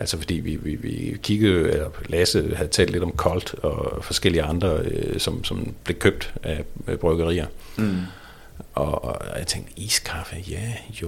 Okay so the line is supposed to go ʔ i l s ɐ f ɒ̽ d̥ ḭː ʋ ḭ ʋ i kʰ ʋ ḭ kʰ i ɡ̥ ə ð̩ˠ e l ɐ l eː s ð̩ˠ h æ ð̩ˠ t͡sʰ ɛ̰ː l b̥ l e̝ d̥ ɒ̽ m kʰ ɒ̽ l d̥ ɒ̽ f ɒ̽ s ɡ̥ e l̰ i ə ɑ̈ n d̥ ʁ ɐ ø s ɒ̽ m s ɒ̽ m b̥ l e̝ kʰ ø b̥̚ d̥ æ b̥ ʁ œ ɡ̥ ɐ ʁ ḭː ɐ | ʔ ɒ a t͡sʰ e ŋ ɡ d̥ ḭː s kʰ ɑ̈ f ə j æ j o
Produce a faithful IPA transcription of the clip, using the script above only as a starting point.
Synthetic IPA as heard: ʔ æ l s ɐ f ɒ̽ d̥ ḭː ʋ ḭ ʋ i ʋ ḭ kʰ i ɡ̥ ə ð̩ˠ e l ɐ l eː s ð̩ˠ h æ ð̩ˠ t͡sʰ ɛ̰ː l d̥ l e̝ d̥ ɒ̽ m kʰ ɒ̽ l d̥ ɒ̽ f ɒ̽ s ɡ̥ e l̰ i ə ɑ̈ n d̥ ʁ ɐ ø s ɒ̽ m s ɒ̽ m b̥ l e̝ kʰ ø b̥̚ d̥ æ b̥ ʁ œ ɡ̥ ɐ ʁ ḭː ɐ | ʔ ɒ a t͡sʰ e ŋ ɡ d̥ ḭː s kʰ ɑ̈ f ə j æ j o